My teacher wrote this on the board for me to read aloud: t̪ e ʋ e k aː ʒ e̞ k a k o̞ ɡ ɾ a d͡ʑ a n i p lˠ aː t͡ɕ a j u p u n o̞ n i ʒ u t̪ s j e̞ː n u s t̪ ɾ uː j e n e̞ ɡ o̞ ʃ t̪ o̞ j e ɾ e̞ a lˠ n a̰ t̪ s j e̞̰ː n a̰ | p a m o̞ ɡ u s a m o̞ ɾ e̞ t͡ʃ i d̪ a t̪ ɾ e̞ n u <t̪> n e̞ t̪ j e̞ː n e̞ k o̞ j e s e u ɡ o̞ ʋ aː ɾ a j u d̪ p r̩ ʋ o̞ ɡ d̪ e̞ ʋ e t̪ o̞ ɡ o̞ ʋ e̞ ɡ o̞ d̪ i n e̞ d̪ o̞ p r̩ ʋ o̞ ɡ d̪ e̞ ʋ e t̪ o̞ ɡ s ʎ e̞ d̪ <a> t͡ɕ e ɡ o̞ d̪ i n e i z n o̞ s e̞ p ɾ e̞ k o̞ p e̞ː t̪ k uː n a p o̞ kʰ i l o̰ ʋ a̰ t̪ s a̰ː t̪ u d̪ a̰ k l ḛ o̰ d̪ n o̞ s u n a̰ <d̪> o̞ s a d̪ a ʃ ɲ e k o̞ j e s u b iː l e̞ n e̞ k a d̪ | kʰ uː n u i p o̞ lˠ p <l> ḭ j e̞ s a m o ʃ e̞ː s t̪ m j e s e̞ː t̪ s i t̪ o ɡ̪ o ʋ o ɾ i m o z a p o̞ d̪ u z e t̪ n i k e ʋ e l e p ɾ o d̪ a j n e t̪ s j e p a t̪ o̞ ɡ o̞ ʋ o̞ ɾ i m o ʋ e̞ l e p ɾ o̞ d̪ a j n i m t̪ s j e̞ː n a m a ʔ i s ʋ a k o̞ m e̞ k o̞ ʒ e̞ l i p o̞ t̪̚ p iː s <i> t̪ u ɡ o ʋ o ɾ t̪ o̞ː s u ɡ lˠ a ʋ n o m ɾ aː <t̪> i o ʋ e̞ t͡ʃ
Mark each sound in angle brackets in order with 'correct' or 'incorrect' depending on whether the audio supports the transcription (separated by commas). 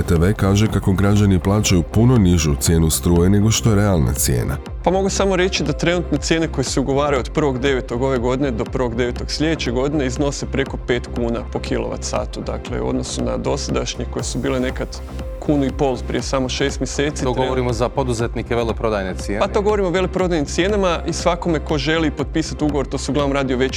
correct, incorrect, correct, incorrect, incorrect, incorrect